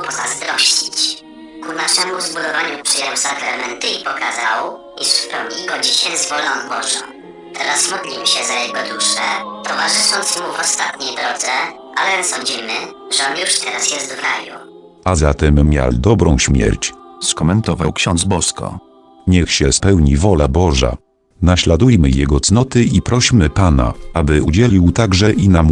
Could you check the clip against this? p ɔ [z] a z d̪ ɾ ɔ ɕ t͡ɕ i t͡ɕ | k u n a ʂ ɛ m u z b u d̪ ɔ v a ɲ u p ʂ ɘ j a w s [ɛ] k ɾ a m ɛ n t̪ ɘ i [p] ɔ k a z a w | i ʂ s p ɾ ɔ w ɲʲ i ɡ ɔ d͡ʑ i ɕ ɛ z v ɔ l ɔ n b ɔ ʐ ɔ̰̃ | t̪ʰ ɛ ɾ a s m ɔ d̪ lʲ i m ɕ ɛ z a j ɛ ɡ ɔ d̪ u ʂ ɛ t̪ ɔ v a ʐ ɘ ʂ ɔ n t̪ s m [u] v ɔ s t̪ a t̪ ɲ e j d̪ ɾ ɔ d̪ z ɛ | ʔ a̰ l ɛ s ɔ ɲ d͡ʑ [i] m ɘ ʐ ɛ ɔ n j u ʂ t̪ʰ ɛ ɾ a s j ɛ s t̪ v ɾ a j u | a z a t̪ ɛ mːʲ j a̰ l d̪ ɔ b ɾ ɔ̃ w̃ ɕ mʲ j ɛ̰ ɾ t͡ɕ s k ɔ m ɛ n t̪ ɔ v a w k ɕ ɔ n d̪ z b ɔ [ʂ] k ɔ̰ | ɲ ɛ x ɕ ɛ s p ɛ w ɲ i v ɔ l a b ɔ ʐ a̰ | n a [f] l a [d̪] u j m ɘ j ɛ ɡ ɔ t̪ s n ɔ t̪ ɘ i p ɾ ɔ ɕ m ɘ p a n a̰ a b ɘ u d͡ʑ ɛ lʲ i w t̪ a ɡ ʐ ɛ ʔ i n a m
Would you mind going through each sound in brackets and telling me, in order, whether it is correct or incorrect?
correct, incorrect: a, correct, correct, correct, incorrect: s, incorrect: ɕ, correct

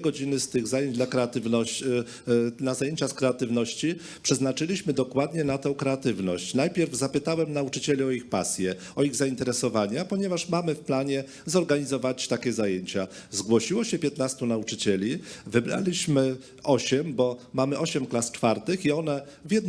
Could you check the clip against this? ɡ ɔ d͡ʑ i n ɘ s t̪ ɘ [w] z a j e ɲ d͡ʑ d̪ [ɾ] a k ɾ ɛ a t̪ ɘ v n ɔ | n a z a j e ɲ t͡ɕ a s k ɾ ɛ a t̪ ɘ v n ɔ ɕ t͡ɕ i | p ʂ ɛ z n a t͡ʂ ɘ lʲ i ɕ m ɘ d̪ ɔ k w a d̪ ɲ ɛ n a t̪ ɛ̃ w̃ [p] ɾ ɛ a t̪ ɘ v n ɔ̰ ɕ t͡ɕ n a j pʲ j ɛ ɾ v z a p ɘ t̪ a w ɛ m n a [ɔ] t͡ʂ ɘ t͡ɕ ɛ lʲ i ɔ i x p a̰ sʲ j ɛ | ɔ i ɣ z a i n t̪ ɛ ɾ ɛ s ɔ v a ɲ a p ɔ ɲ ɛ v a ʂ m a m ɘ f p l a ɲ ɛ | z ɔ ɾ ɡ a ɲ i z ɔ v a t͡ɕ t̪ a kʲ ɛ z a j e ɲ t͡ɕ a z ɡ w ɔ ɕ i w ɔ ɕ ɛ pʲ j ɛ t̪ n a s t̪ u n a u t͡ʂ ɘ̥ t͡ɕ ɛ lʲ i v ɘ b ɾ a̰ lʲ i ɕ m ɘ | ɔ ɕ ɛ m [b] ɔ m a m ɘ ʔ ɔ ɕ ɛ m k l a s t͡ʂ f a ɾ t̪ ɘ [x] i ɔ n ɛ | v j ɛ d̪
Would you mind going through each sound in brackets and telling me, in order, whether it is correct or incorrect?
incorrect: ɣ, incorrect: l, incorrect: k, incorrect: u, correct, correct

